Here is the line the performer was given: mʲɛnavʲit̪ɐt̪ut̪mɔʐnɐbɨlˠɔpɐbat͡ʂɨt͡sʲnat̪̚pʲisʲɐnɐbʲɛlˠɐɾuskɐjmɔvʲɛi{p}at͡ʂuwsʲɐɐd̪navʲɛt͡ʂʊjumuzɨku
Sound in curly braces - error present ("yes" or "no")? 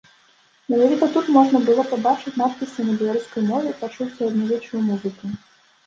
no